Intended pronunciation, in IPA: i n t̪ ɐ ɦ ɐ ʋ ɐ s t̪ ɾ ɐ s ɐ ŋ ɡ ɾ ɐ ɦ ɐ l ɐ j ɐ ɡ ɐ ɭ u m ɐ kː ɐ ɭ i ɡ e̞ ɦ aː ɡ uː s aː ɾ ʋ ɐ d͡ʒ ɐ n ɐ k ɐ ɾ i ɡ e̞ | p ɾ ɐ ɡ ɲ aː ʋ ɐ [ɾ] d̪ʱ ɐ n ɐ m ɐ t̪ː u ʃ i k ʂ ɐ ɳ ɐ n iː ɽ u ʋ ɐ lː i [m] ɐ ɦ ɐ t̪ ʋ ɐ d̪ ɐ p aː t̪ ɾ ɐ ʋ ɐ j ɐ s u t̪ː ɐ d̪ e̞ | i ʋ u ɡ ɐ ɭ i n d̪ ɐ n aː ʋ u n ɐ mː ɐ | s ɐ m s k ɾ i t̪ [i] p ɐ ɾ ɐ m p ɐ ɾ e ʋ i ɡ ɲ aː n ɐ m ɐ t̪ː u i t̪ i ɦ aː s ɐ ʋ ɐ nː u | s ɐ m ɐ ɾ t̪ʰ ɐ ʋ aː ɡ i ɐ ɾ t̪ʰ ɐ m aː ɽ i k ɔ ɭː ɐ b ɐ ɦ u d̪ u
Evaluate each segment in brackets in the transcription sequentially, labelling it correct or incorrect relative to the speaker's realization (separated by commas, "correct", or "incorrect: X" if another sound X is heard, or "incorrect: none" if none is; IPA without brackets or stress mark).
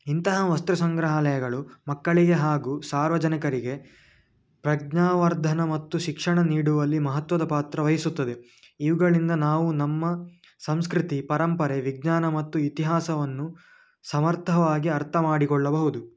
correct, correct, correct